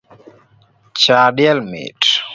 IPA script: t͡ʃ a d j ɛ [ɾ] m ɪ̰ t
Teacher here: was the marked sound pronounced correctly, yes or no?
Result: no